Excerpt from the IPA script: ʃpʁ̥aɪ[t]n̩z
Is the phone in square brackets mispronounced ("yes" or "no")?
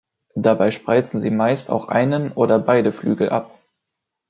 yes